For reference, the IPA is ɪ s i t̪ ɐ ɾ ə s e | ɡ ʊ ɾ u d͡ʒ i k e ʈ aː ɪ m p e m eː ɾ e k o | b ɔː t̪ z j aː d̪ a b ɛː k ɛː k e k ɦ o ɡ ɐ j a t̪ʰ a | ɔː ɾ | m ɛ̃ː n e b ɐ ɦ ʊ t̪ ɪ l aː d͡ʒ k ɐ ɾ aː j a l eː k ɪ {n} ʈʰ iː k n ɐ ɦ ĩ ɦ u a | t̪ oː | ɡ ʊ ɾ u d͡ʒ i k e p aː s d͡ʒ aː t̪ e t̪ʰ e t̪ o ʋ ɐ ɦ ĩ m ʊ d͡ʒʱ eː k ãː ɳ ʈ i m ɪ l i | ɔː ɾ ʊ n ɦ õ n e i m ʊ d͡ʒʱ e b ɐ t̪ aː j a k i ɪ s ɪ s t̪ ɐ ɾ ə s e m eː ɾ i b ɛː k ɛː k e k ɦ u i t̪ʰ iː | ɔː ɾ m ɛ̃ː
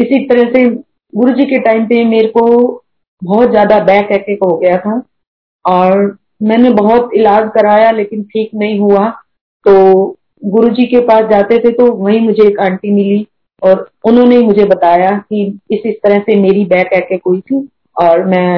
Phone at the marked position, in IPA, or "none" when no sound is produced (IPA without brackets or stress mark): n